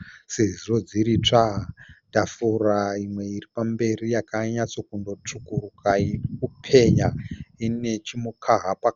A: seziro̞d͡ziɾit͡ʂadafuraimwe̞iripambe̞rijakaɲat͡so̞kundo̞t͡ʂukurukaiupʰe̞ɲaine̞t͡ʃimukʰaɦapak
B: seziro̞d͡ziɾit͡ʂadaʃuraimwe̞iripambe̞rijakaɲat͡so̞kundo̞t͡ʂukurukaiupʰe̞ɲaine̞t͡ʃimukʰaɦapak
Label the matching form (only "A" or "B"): A